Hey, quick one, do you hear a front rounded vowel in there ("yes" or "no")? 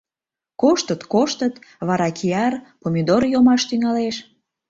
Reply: yes